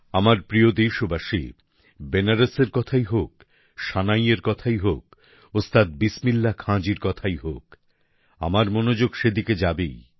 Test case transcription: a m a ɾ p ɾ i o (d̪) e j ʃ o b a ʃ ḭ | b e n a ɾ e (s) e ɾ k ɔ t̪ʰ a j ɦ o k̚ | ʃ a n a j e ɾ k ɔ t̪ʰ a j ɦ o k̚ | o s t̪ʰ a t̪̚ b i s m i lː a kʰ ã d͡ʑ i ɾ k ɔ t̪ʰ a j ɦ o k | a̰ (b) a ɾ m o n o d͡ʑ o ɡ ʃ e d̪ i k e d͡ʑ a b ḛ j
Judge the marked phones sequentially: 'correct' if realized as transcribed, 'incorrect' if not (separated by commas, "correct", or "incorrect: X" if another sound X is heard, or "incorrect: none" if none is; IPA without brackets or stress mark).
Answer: correct, correct, incorrect: m